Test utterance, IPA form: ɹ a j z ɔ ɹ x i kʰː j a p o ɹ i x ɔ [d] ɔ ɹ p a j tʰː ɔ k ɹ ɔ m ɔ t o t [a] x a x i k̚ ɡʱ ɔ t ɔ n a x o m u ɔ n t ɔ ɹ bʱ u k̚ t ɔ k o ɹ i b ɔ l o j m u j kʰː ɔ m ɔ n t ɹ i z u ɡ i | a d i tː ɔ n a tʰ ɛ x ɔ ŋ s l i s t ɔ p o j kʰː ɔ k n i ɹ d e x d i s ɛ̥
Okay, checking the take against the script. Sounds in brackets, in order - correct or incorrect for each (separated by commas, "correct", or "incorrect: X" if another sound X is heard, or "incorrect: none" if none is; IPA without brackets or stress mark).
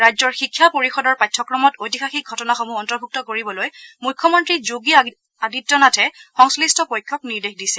correct, incorrect: i